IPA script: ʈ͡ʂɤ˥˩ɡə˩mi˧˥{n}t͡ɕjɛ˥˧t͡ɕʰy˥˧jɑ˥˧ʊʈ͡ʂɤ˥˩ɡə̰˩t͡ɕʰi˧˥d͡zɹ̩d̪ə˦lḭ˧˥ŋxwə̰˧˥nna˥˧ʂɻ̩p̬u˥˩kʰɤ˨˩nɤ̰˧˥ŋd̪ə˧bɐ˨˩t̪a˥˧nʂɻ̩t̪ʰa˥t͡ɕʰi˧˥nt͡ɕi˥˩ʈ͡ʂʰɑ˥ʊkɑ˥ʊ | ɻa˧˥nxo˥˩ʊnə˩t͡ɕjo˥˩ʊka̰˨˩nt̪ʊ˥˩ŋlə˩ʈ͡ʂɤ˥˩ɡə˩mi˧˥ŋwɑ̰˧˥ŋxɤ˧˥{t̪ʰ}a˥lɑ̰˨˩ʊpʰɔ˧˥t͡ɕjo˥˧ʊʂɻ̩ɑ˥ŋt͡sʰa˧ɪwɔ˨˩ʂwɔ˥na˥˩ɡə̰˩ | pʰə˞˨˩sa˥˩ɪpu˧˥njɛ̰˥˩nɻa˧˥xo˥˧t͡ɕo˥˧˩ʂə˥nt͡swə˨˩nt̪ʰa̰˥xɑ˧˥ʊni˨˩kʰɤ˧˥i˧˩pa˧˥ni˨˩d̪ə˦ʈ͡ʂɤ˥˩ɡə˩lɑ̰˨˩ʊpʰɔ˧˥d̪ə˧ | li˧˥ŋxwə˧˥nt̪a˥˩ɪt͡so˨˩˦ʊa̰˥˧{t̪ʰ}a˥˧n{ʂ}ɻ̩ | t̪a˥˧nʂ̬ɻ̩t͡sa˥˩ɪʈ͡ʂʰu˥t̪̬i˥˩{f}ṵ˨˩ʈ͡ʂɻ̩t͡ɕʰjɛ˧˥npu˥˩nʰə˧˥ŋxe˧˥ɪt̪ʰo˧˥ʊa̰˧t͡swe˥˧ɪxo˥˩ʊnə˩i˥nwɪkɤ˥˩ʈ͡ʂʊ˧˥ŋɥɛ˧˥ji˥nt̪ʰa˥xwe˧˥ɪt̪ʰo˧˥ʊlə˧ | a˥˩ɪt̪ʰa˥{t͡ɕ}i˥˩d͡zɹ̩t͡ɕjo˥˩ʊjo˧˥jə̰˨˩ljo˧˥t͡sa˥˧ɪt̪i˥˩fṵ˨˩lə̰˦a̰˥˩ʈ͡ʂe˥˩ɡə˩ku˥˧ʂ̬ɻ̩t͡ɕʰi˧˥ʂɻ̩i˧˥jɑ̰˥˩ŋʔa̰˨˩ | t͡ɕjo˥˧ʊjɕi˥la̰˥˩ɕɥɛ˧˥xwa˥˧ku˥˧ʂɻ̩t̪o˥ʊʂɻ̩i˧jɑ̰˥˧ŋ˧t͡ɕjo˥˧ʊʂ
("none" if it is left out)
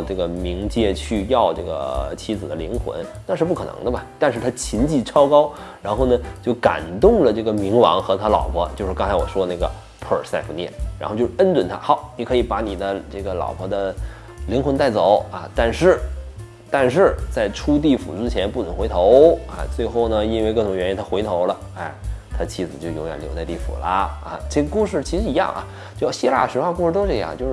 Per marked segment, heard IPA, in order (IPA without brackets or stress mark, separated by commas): ŋ, t̪ʰ, t̪, ʂ, f, t͡ɕʰ